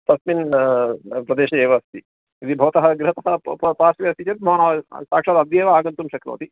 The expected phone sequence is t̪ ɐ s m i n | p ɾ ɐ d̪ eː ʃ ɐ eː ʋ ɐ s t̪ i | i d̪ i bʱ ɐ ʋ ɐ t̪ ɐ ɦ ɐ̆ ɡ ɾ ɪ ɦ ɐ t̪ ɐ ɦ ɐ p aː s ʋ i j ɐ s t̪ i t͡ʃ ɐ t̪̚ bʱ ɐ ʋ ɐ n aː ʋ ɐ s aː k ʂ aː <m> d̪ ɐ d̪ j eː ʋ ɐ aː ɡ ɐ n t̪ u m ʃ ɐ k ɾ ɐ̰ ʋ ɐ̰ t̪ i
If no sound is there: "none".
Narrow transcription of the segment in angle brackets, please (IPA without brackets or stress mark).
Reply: none